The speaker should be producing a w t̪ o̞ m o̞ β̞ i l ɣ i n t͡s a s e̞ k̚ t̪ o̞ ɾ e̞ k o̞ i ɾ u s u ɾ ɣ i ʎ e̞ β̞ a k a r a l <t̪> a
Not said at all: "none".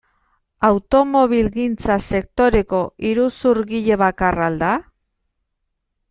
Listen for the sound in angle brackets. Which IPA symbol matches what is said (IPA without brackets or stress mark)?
d̪